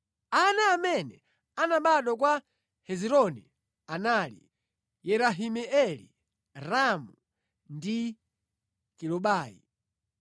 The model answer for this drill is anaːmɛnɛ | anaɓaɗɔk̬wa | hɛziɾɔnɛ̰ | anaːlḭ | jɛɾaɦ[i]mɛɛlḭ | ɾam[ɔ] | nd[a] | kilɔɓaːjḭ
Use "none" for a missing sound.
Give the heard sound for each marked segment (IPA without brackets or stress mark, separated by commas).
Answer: i, u, i